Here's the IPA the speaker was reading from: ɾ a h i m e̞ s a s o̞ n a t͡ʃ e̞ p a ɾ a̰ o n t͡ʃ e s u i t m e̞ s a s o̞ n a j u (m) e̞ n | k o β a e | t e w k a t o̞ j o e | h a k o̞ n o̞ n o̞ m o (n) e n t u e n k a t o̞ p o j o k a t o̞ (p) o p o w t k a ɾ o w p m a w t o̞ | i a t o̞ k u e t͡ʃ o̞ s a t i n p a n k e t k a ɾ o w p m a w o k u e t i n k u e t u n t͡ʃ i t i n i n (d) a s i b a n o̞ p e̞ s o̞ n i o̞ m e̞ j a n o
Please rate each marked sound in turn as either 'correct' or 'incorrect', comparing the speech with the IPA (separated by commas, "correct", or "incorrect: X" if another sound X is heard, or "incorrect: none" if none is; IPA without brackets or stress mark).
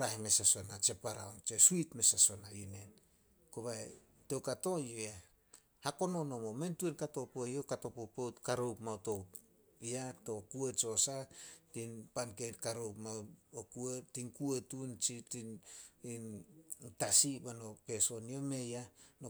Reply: incorrect: n, incorrect: m, correct, incorrect: t